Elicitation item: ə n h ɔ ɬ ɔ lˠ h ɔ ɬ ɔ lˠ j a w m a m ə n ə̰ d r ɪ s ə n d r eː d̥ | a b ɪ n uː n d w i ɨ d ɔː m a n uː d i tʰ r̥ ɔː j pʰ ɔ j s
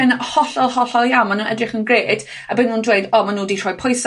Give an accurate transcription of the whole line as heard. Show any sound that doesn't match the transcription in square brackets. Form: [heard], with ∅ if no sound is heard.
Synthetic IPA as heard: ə n h ɔ ɬ ɔ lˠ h ɔ ɬ ɔ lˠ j a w m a [n] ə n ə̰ d r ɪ [χ] ə n [ɡ] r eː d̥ | a b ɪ n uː n d w [e] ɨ d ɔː m a n uː d i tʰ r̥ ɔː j pʰ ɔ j s